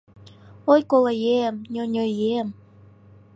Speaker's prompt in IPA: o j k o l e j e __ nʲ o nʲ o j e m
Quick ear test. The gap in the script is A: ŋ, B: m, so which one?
B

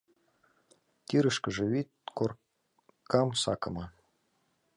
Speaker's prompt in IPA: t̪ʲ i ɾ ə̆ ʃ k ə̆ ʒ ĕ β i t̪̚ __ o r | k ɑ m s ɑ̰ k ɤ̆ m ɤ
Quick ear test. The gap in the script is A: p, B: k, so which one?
B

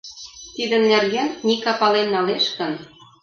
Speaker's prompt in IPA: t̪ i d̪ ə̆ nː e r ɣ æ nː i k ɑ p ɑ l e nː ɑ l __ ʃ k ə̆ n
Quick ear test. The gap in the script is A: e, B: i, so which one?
A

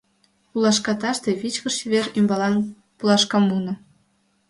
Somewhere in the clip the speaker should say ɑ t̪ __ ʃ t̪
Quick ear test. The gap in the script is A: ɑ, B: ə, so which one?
A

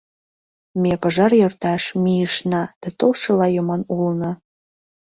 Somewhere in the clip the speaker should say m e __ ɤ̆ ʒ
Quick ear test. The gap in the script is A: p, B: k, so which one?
A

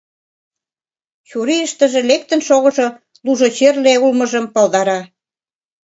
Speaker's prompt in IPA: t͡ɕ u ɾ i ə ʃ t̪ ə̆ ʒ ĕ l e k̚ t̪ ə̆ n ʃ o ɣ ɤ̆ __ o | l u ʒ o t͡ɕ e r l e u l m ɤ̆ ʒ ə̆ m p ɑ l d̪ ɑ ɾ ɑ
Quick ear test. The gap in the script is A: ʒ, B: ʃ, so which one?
A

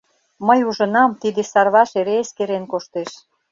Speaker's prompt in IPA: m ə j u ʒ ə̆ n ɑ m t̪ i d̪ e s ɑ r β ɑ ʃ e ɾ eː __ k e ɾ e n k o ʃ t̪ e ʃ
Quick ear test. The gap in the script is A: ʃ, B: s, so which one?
B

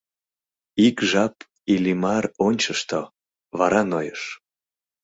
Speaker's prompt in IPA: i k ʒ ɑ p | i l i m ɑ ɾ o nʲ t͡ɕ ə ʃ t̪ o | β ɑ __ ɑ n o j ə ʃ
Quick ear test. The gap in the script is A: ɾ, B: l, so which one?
A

